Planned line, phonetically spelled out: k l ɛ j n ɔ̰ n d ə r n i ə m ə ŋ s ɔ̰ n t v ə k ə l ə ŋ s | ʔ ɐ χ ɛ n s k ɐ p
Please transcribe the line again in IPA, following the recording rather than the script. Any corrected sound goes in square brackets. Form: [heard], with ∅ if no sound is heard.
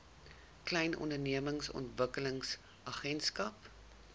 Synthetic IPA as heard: k l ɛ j n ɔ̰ n d ə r n i ə m ə ŋ s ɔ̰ n t v ə k ə l ə ŋ s | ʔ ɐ χ ɛ n s k ɐ p